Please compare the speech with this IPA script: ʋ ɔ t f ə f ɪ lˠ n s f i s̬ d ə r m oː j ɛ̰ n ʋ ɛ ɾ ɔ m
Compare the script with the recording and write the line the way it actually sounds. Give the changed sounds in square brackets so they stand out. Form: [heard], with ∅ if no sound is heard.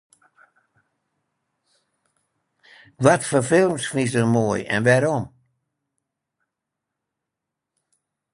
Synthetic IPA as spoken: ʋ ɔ t f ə f ɪ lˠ [m] s f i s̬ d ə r m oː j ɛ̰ n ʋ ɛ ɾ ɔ m